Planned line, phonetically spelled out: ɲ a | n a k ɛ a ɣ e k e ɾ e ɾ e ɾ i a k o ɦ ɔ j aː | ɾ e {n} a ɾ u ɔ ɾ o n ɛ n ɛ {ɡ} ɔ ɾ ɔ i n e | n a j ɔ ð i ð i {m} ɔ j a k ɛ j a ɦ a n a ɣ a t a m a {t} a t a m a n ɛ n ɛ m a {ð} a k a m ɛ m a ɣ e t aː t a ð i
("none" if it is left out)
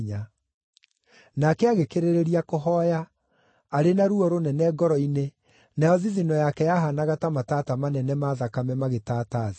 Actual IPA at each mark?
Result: n, ɡ, n, t, ð

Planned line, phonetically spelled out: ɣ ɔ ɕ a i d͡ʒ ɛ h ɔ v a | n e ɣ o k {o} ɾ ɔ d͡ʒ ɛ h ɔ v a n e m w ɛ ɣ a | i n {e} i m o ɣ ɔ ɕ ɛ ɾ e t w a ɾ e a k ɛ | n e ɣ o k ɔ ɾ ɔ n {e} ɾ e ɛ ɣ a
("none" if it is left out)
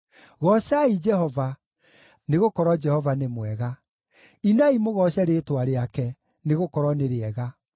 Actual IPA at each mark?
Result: ɔ, a, e

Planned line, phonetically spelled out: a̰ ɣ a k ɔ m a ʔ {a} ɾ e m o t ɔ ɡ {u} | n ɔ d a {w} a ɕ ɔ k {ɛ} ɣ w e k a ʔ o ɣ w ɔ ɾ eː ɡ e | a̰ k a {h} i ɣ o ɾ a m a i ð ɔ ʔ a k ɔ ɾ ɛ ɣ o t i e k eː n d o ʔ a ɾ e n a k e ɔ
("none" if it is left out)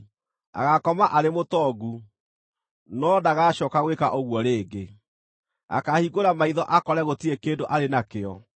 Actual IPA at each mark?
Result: a, u, ɣ, a, h

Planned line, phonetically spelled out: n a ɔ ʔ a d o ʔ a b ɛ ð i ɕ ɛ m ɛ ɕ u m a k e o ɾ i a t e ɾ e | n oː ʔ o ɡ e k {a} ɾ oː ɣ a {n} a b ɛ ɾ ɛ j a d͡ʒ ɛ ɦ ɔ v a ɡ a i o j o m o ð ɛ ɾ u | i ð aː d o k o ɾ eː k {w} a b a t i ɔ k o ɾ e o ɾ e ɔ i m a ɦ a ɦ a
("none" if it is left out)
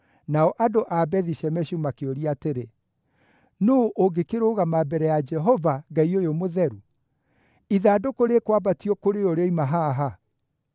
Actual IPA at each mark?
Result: e, m, w

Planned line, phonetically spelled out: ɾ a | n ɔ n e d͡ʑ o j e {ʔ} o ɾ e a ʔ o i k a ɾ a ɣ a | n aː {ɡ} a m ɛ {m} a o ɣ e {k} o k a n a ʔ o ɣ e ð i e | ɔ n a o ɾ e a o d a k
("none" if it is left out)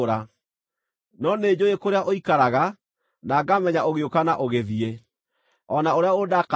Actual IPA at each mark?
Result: k, ɡ, ɲ, none

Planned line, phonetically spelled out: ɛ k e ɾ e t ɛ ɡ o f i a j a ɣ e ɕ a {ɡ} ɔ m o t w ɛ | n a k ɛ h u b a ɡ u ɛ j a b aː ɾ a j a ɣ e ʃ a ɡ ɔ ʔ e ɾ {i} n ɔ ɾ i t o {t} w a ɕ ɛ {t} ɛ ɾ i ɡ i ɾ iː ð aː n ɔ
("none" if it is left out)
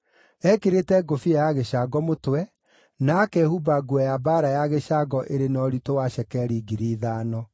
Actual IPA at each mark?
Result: ɡ, e, none, k

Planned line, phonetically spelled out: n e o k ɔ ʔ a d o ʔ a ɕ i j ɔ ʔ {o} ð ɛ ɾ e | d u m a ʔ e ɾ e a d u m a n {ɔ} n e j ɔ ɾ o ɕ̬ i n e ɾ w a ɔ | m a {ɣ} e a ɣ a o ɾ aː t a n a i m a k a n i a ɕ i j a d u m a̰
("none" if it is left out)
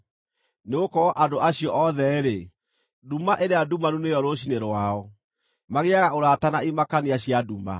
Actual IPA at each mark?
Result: ɔ, u, ɣ

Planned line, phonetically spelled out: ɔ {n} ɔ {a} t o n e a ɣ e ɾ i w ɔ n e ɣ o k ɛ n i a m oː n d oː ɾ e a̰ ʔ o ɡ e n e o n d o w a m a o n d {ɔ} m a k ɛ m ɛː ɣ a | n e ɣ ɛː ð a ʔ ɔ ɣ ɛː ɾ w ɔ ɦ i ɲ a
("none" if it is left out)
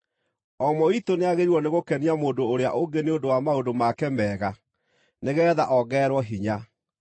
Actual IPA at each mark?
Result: m, i, o

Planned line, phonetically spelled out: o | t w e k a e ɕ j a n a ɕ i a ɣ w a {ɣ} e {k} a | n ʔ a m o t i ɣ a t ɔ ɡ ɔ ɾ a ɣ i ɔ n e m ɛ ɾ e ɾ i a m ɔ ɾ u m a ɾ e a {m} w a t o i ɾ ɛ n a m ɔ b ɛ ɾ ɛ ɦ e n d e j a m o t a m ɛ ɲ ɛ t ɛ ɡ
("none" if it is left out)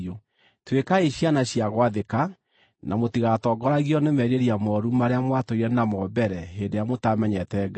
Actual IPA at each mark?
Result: ð, k, m

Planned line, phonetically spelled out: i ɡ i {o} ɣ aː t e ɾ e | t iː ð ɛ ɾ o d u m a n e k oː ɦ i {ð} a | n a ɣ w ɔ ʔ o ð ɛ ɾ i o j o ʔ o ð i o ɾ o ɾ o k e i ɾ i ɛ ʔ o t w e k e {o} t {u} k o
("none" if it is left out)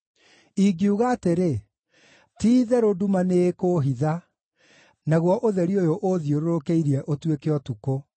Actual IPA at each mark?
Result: u, ð, ɔ, u

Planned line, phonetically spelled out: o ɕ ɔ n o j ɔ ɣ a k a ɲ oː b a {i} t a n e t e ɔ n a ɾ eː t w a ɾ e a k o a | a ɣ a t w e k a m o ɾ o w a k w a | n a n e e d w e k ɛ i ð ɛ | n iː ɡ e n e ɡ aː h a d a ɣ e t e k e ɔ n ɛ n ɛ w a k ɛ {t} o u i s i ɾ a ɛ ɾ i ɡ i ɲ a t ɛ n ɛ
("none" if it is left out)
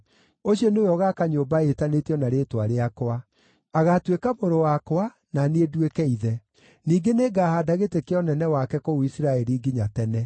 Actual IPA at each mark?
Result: e, k

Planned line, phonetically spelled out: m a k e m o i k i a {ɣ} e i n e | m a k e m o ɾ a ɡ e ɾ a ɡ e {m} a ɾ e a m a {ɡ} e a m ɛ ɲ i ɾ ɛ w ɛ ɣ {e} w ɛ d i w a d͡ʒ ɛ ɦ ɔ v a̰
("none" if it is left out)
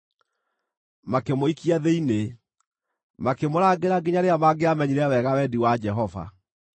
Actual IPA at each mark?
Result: ð, ɲ, ɡ, a

